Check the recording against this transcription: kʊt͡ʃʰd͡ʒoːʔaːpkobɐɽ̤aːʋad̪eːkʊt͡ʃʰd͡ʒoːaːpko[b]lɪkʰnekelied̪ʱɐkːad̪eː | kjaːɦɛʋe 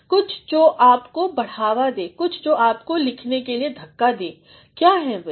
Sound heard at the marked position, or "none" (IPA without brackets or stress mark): none